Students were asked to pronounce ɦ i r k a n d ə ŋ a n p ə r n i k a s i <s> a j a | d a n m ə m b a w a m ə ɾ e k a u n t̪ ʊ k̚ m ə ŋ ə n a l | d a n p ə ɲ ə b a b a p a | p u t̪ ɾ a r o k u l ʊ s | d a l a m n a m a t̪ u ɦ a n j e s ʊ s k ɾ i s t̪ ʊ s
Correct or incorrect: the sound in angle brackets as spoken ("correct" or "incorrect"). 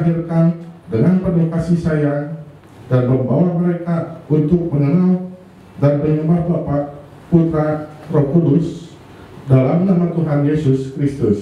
correct